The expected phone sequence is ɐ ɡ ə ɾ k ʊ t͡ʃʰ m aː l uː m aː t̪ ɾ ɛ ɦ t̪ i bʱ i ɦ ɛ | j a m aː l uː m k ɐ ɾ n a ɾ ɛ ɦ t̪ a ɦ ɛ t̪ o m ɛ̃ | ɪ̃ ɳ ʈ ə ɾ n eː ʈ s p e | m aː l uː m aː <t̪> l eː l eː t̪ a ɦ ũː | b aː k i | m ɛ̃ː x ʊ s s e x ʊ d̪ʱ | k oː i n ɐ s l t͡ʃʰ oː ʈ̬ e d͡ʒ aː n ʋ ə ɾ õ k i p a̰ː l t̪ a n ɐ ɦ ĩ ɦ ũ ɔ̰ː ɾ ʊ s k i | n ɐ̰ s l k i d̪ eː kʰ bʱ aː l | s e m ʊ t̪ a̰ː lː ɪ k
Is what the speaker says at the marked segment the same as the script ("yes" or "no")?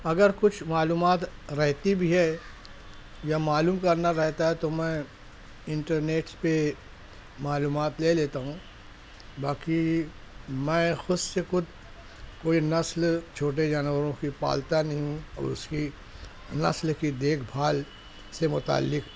yes